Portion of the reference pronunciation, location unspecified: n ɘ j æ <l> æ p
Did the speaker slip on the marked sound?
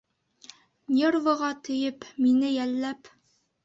yes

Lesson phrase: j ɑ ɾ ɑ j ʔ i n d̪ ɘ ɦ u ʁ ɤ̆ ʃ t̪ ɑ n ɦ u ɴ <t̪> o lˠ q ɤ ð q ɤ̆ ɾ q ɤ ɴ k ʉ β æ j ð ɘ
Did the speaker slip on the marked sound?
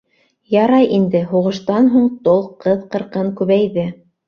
no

